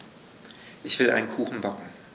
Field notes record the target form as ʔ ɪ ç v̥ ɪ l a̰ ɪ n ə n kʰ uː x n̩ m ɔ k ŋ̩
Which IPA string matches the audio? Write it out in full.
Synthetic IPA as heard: ʔ ɪ ç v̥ ɪ l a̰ ɪ n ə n kʰ uː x n̩ b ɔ k ŋ̩